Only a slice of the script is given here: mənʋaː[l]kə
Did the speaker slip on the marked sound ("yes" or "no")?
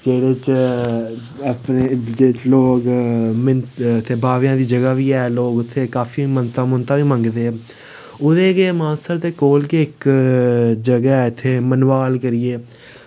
no